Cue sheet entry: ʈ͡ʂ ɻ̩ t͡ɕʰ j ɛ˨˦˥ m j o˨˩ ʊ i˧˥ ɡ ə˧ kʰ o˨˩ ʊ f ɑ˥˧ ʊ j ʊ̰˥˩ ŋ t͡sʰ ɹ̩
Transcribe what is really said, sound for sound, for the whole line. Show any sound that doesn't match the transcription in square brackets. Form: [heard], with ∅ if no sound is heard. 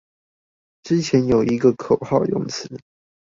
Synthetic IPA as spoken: ʈ͡ʂ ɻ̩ t͡ɕʰ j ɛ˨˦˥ [n] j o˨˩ ʊ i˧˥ ɡ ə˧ kʰ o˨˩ ʊ [x] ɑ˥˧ ʊ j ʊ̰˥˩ ŋ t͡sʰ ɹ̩